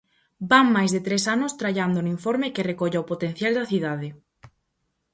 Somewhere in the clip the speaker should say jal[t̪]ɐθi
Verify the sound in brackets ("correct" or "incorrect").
incorrect